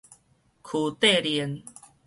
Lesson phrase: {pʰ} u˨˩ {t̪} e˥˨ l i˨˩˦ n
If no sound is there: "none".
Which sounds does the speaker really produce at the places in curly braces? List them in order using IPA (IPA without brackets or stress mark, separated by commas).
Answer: kʰ, t̪